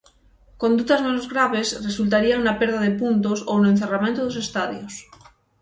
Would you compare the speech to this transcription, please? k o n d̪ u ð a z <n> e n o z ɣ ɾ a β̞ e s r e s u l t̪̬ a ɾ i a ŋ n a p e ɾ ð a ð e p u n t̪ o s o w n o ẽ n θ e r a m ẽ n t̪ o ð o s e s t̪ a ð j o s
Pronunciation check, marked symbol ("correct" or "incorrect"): incorrect